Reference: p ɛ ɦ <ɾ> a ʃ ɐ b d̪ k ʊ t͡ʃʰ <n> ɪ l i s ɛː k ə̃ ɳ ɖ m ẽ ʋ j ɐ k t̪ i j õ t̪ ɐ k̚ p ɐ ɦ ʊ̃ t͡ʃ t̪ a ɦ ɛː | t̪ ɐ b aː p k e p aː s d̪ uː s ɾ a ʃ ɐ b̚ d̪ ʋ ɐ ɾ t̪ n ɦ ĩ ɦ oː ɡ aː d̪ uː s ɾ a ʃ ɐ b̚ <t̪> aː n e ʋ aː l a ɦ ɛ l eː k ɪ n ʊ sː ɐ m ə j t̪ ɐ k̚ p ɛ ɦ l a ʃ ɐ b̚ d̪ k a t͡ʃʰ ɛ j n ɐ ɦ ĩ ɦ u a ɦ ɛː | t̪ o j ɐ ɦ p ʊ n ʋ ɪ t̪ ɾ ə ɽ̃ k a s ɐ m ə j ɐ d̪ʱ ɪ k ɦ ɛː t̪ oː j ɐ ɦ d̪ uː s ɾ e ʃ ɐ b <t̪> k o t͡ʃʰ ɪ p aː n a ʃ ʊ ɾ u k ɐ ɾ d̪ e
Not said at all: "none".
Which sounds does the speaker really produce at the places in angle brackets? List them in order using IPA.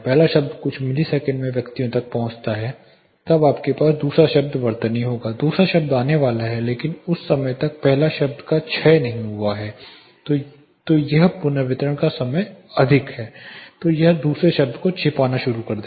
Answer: l, m, d̪, d̪

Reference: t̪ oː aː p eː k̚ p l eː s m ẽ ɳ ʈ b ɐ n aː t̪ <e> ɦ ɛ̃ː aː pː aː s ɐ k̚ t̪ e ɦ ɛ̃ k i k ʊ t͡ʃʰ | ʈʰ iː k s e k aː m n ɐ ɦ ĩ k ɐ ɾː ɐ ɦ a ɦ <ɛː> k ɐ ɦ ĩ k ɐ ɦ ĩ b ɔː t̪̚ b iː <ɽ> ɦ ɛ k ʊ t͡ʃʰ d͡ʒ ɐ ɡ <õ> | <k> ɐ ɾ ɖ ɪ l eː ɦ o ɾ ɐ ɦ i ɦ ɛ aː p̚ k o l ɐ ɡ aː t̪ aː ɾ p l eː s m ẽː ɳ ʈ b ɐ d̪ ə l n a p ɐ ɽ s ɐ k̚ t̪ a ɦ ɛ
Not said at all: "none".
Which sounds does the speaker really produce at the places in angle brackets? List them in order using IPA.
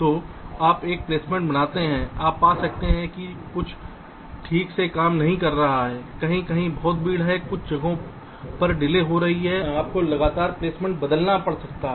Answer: e, ɛː, ɽ, õ, p

